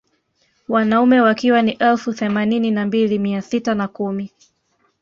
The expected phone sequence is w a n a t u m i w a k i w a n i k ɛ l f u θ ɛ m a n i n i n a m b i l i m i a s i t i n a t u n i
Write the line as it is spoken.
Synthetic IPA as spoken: w a n a u m ɛ w a k i w a n i ʔ ɛ l f u θ ɛ m a n i n i n a m b i l i m i a s i t a n a k u m i